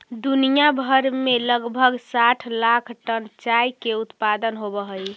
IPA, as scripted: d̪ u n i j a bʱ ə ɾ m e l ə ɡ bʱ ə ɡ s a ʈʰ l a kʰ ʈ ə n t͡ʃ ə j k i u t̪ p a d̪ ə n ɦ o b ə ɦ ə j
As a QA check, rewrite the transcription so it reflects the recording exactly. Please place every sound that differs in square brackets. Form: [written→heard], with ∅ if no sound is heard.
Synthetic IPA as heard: d̪ u n i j a bʱ ə ɾ m e l ə ɡ bʱ ə ɡ s a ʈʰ l a kʰ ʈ ə n t͡ʃ [ə→a] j k [i→e] u t̪ p a d̪ ə n ɦ o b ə ɦ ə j

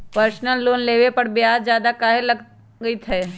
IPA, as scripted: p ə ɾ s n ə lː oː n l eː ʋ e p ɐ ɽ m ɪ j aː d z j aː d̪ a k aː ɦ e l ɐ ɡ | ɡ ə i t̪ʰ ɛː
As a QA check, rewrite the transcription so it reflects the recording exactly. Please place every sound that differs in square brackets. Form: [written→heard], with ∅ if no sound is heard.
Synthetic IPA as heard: p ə ɾ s n ə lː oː n l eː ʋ e p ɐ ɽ [m→b] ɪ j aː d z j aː d̪ a k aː ɦ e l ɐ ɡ | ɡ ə i t̪ʰ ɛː

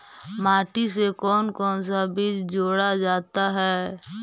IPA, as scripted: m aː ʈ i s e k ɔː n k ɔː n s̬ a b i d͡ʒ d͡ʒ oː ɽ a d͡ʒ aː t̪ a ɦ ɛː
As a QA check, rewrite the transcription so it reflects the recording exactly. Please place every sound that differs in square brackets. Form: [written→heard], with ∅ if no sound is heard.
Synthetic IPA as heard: m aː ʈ i s e k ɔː n k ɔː n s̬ a b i d͡ʒ d͡ʒ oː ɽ a d͡ʒ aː t̪ a ɦ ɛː

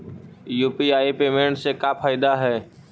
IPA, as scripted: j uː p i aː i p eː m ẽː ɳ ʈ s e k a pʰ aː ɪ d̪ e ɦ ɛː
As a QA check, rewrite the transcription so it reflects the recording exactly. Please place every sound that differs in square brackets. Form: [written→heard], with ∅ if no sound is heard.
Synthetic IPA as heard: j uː p i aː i p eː m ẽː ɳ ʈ s e k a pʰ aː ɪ d̪ [e→a] ɦ ɛː

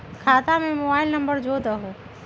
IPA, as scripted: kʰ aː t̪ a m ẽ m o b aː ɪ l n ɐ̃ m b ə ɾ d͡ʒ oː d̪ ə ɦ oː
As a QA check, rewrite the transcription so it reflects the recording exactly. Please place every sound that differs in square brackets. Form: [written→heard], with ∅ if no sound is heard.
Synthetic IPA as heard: kʰ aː t̪ a m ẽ m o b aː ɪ l n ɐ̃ m b ə ɾ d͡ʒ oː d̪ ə ɦ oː

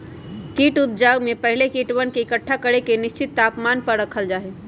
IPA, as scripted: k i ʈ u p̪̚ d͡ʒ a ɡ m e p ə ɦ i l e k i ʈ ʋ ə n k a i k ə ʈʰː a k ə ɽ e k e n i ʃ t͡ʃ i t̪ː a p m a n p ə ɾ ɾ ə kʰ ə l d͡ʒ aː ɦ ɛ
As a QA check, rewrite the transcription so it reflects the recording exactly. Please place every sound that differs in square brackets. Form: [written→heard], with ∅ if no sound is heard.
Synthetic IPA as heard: k i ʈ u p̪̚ d͡ʒ a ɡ m e p ə ɦ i l e k i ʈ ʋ ə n k [a→e] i k ə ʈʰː a k ə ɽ e k e n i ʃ t͡ʃ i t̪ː a p m a n p ə ɾ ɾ ə kʰ ə l d͡ʒ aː ɦ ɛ

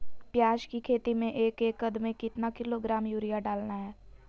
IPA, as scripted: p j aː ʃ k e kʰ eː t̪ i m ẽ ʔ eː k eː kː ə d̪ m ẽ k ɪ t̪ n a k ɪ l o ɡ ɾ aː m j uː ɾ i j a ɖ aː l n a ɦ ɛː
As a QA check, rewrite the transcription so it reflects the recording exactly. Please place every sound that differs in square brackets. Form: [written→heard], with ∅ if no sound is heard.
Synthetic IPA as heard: p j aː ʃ k [e→i] kʰ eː t̪ i m ẽ ʔ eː k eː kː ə d̪ m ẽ k ɪ t̪ n a k ɪ l o ɡ ɾ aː m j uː ɾ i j a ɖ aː l n a ɦ ɛː

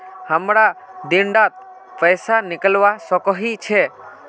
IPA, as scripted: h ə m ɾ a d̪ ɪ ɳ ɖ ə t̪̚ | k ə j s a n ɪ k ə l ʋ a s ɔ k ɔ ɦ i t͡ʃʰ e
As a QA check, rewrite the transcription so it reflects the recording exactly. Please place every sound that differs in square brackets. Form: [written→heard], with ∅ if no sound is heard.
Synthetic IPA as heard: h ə m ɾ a d̪ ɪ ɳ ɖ [ə→a] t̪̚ | [k→p] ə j s a n ɪ k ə l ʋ a s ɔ k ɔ ɦ i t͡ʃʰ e

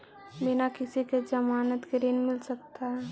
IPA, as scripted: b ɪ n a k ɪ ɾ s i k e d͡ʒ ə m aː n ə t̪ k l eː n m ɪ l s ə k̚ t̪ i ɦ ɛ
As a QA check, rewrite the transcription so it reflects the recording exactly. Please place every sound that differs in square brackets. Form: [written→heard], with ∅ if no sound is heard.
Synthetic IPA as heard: b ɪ n a k ɪ [ɾ→∅] s i k e d͡ʒ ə m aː n ə t̪ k [l→ɾ] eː n m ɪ l s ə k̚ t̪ [i→a] ɦ ɛ

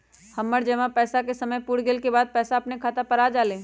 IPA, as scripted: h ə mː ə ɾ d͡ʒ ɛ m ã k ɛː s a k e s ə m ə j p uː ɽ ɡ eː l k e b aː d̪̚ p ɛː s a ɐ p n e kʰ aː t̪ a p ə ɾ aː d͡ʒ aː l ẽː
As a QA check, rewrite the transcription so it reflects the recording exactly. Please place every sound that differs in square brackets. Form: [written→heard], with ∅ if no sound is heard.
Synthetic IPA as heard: h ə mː ə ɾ d͡ʒ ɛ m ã [k→p] ɛː s a k e s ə m ə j p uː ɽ ɡ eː l k e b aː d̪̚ p ɛː s a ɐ p n e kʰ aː t̪ a p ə ɾ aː d͡ʒ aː l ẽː

